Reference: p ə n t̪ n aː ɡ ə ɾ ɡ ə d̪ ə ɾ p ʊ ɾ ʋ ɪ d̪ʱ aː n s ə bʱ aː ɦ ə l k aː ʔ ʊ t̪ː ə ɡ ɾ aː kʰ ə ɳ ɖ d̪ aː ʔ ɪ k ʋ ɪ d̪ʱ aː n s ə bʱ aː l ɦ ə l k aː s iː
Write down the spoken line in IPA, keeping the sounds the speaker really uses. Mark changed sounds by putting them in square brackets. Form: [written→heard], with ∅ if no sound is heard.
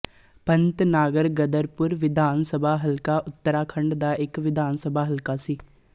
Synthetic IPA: p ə n t̪ n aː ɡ ə ɾ ɡ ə d̪ ə ɾ p ʊ ɾ ʋ ɪ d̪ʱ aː n s ə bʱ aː ɦ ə l k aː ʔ ʊ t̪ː ə [ɡ→∅] ɾ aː kʰ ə ɳ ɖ d̪ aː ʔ ɪ k ʋ ɪ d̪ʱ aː n s ə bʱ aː [l→∅] ɦ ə l k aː s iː